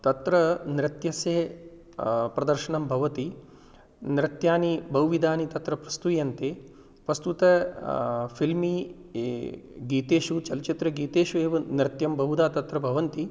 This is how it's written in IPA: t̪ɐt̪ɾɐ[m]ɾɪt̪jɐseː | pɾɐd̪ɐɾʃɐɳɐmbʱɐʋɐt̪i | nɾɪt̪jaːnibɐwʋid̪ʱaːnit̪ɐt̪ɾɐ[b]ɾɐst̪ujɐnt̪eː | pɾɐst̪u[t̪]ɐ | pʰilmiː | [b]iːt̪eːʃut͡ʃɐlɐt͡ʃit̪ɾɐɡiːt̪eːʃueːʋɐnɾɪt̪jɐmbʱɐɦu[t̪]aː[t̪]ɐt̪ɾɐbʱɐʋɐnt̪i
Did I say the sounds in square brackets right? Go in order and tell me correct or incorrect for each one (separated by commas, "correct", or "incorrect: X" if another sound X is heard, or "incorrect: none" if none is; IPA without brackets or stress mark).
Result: incorrect: n, incorrect: p, correct, incorrect: ɡ, incorrect: d̪, correct